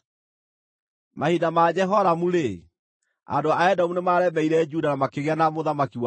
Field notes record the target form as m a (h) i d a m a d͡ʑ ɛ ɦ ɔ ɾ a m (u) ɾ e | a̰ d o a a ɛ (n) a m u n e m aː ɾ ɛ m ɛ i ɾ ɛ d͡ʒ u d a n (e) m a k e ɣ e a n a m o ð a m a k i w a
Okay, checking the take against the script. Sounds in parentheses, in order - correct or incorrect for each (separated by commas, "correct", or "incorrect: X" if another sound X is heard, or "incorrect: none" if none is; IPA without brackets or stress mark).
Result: correct, correct, incorrect: d, incorrect: a